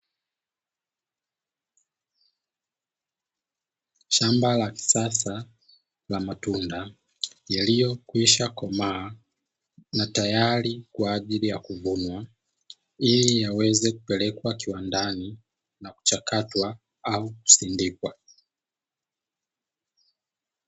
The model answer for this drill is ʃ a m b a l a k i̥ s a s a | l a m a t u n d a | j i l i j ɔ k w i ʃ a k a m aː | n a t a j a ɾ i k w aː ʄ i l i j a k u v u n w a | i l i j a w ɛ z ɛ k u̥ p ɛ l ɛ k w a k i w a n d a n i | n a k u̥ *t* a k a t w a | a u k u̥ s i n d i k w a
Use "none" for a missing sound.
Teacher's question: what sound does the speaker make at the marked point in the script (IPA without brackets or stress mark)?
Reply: t͡ʃ